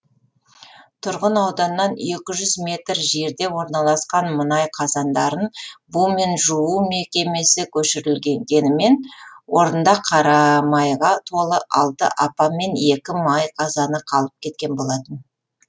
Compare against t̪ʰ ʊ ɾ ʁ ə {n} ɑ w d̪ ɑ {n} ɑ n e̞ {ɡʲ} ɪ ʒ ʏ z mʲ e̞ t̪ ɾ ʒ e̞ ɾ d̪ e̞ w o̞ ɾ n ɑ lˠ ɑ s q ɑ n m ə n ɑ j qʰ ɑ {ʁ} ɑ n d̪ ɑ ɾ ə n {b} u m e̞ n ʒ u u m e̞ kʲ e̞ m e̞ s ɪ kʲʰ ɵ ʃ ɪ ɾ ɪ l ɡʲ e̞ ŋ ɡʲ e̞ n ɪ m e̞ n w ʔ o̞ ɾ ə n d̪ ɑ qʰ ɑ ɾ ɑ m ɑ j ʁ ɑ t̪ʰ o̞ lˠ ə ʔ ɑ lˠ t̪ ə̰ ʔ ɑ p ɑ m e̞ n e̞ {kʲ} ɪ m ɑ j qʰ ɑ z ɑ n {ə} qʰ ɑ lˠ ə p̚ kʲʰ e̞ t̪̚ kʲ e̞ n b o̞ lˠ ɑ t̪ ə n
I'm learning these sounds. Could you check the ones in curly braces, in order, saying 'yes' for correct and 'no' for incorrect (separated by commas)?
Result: yes, no, no, no, yes, yes, yes